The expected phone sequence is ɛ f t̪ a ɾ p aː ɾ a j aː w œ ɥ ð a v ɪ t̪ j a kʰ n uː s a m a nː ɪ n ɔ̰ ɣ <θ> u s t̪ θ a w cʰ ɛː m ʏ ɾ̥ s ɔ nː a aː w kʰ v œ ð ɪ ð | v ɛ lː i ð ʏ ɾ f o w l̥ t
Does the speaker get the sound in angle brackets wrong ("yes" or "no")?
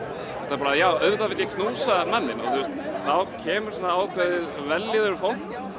no